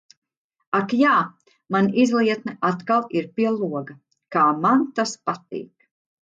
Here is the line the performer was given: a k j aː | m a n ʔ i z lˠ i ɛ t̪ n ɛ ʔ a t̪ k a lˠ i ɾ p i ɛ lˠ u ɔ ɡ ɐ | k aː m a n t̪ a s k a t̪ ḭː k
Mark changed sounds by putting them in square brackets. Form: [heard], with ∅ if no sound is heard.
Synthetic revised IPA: a k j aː | m a n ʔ i z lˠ i ɛ t̪ n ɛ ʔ a t̪ k a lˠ i ɾ p i ɛ lˠ u ɔ ɡ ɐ | k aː m a n t̪ a s [p] a t̪ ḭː k